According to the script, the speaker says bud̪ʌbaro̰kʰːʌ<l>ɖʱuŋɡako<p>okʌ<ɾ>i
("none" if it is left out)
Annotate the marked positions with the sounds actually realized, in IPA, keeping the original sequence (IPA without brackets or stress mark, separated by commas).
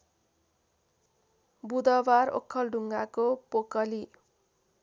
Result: l, p, l